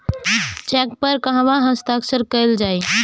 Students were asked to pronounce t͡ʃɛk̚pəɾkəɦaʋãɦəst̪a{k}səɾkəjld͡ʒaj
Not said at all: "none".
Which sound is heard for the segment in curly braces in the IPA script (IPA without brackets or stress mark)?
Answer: k